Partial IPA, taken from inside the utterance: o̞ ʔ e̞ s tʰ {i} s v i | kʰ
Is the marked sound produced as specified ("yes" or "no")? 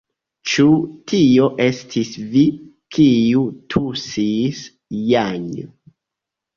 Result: yes